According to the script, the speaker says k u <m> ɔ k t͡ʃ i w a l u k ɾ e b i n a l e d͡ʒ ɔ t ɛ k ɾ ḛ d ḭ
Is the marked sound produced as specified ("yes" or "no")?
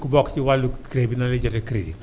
no